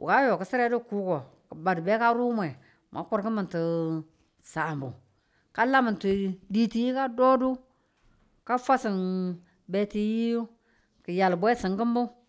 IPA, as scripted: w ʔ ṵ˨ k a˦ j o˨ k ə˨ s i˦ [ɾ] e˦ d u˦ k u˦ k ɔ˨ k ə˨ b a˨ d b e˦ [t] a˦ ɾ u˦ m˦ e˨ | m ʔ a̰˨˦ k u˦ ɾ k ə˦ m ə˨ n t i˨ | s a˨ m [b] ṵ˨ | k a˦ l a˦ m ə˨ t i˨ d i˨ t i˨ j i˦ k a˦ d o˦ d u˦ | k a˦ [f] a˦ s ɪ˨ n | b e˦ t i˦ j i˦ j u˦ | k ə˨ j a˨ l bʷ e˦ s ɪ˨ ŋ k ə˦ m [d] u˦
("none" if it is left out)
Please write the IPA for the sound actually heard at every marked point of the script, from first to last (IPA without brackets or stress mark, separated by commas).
ɾ, k, b, f, b